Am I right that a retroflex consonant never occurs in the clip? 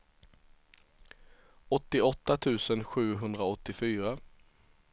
yes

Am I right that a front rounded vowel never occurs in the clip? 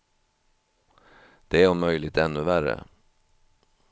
no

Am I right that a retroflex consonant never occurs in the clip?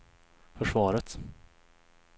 no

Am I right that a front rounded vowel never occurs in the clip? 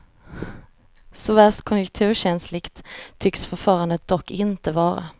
no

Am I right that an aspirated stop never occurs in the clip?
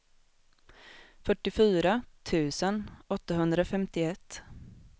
no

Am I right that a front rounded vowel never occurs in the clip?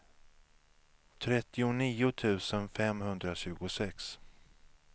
yes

